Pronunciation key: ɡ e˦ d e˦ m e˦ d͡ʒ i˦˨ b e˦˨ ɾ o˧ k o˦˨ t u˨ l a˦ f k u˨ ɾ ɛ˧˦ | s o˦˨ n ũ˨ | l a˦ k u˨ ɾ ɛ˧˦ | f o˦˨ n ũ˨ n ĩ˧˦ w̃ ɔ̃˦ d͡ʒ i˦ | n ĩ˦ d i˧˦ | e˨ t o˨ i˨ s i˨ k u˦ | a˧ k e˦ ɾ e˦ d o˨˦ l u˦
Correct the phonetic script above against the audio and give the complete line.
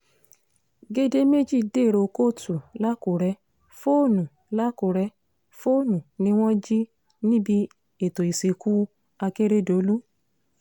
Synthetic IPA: ɡ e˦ d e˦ m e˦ d͡ʒ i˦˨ d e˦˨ ɾ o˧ k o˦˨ t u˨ l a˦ k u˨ ɾ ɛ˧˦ | f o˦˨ n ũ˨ | l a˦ k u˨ ɾ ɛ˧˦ | f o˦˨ n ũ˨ n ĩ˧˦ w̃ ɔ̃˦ d͡ʒ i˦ | n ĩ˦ b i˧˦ | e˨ t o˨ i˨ s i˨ k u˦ | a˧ k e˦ ɾ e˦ d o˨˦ l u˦